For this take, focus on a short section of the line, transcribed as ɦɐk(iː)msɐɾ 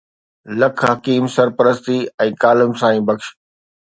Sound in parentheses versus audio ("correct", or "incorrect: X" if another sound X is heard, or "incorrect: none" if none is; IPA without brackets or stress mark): correct